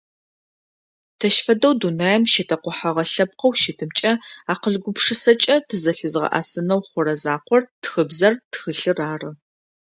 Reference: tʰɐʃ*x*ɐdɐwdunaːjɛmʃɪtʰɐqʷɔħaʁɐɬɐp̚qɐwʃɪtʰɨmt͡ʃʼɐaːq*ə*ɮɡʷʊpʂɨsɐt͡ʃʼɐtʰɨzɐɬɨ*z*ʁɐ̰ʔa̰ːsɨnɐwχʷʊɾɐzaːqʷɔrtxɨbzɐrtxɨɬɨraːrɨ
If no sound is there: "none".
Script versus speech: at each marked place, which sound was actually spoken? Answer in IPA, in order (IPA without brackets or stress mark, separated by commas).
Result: f, ə, z